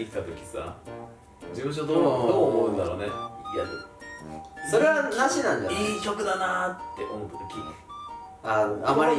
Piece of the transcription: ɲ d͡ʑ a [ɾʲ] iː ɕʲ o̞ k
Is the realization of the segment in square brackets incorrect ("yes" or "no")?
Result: yes